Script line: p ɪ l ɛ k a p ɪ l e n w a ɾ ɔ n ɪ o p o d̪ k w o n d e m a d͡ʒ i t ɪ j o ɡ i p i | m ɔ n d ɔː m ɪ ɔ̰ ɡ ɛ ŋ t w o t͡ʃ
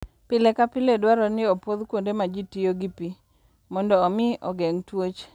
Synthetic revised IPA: p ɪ l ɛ k a p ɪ l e d w a ɾ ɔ n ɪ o p o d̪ k w o n d e m a d͡ʒ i t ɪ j o ɡ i p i | m ɔ n d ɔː m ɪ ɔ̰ ɡ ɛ ŋ t w o t͡ʃ